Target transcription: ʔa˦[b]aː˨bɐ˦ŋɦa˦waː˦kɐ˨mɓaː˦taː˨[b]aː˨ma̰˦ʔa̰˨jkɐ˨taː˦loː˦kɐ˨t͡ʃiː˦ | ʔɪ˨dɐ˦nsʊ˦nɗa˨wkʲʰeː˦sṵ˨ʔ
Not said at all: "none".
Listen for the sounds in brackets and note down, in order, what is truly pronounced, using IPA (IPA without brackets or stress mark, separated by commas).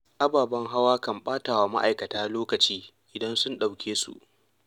b, w